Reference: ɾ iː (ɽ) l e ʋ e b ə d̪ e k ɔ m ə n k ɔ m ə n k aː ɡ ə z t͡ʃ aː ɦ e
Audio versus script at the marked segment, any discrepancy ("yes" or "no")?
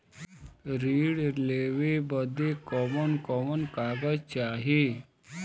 no